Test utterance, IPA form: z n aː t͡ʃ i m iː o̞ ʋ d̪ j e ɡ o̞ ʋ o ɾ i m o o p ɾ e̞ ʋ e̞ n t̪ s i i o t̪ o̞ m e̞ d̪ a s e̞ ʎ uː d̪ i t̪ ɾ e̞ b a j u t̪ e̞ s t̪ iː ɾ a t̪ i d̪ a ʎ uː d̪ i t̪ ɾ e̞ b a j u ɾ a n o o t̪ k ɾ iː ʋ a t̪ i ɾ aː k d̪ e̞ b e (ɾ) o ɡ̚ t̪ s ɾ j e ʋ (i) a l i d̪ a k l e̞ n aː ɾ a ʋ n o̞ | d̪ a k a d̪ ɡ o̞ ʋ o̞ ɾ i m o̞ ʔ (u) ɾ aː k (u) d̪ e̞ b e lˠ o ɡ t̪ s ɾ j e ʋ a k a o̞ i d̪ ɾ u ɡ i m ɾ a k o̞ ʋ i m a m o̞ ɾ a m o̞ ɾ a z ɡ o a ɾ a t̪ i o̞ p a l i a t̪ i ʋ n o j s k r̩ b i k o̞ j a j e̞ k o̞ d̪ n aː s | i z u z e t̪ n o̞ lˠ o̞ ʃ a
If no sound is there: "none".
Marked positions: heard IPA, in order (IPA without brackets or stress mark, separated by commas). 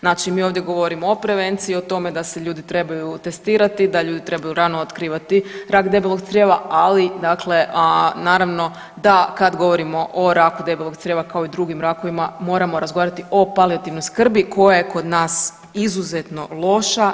l, a, o, u